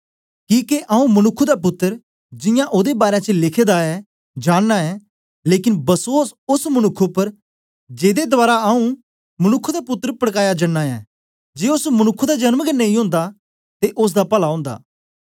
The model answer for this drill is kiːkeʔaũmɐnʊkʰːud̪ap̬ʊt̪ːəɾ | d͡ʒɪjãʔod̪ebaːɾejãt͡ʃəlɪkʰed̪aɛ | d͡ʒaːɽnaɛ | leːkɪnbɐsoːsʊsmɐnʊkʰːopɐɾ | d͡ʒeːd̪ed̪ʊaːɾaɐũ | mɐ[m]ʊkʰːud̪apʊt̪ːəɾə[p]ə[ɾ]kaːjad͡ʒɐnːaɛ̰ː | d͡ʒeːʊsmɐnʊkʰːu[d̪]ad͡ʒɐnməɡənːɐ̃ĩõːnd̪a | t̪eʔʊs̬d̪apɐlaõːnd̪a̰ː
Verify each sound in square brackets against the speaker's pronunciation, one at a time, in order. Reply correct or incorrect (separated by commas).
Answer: incorrect, correct, incorrect, correct